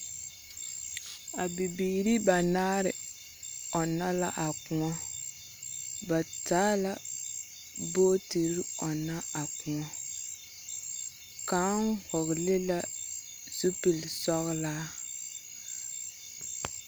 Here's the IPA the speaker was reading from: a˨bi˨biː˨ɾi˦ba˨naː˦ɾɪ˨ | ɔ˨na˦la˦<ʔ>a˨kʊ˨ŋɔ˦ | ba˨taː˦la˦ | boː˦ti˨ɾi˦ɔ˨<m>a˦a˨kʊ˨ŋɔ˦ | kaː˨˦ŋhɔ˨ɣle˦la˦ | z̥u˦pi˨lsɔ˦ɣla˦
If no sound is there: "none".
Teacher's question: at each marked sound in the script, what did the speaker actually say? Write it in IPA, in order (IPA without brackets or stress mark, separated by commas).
ʔ, n